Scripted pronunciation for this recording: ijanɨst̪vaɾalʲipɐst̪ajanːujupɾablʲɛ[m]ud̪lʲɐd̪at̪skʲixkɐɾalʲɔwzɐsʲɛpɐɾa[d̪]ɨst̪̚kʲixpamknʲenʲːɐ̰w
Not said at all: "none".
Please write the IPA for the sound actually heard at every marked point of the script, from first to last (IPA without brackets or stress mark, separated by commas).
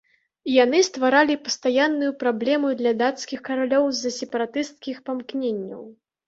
m, t̪